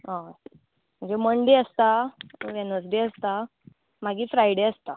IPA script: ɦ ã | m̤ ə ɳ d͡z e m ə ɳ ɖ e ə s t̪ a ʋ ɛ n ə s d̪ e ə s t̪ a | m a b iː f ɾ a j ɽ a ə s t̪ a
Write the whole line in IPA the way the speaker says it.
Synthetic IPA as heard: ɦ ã | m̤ ə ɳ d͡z e m ə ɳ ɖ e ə s t̪ a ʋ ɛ n ə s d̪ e ə s t̪ a | m a ɡ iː f ɾ a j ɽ e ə s t̪ a